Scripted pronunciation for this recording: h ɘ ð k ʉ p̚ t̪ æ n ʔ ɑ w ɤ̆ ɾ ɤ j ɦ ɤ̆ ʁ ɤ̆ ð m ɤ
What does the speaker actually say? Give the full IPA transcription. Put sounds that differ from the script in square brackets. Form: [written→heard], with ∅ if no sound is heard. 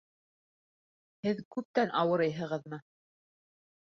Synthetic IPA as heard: h ɘ ð k ʉ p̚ t̪ æ n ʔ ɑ w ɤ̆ ɾ ɤ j ɦ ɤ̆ ʁ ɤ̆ ð m ɤ